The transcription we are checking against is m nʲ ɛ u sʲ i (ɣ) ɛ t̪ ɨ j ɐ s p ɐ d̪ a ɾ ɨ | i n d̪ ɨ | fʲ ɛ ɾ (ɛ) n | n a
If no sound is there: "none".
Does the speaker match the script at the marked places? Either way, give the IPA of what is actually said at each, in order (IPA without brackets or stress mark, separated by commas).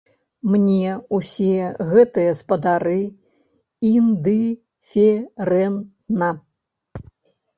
ɣ, ɛ